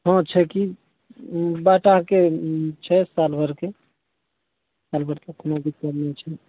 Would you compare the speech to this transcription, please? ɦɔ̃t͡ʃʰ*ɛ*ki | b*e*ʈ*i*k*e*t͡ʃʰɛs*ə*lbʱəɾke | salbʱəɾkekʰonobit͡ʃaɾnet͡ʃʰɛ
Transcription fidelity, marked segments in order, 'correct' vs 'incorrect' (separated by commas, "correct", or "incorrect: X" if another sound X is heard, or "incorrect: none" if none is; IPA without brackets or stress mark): correct, incorrect: a, incorrect: a, correct, incorrect: a